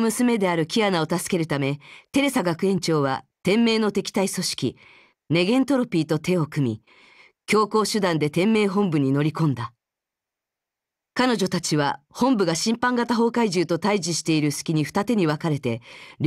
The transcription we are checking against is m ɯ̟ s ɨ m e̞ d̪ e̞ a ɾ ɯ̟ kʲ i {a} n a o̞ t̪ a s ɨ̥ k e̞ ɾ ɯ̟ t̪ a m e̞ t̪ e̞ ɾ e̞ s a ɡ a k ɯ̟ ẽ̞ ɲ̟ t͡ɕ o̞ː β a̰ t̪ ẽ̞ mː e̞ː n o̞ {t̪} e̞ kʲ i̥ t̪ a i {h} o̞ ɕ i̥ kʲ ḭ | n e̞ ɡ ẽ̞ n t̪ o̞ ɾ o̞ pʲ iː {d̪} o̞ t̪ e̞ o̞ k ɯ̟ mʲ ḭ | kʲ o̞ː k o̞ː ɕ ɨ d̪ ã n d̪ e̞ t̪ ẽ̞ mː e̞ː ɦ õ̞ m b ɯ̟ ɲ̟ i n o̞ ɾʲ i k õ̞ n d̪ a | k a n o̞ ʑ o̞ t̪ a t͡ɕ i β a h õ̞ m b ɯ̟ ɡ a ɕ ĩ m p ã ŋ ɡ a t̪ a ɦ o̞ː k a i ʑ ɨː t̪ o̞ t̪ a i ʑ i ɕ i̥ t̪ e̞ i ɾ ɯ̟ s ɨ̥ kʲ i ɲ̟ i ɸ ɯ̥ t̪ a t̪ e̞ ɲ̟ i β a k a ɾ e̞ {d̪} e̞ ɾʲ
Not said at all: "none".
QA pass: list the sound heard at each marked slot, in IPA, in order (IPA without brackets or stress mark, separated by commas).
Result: a, t̪, s, t̪, t̪